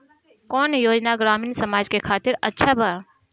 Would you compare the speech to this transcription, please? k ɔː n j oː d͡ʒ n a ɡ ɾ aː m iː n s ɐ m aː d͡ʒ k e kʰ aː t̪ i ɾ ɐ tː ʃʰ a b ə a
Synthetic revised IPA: k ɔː n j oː d͡ʒ n a ɡ ɾ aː m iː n s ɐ m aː d͡ʒ k e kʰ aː t̪ ɪ ɾ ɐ tː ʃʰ a b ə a